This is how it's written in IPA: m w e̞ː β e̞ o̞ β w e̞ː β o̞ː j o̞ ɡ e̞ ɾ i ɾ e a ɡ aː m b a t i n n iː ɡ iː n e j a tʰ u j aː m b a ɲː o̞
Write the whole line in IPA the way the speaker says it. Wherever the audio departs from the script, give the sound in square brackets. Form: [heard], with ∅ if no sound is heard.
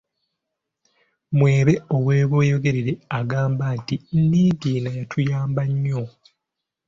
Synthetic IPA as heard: m w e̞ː β e̞ o̞ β w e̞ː β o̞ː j o̞ ɡ e̞ ɾ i ɾ e a ɡ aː m b a t i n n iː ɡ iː n [a] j a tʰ u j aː m b a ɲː o̞